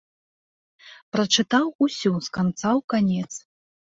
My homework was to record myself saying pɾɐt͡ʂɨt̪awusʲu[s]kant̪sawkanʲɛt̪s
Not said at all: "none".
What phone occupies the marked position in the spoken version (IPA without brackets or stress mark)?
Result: s